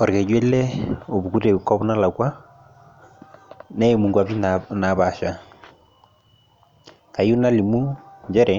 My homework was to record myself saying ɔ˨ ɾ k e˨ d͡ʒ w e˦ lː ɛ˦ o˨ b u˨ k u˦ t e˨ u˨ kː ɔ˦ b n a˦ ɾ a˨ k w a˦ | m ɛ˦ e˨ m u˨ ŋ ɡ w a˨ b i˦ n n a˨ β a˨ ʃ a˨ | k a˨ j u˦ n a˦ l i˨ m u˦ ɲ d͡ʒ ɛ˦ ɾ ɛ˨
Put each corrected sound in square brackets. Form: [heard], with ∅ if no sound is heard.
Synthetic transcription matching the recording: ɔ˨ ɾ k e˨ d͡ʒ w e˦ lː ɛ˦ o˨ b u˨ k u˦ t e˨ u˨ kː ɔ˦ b n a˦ [l] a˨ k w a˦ | [n] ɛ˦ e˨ m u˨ ŋ ɡ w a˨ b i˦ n n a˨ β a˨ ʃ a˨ | k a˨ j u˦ n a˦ l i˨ m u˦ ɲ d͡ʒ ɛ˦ ɾ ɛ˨